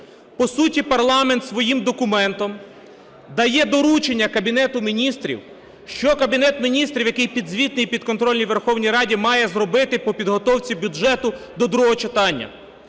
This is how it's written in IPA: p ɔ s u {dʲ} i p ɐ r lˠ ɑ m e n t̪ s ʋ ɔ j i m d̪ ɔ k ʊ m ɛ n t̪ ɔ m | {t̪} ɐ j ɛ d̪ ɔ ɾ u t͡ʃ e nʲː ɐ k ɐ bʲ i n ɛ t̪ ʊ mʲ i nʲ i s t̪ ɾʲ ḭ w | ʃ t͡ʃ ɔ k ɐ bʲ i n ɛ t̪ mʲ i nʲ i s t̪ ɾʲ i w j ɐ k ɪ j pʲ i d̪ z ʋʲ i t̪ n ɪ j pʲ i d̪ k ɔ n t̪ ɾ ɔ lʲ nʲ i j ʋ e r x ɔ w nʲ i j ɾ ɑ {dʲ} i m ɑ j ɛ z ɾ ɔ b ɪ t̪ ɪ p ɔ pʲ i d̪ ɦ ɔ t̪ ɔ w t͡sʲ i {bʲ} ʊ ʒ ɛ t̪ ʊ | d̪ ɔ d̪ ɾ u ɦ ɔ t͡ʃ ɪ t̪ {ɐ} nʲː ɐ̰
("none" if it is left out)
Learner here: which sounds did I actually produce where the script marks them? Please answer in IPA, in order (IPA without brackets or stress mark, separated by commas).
tʲ, d̪, dʲ, bʲ, ɑ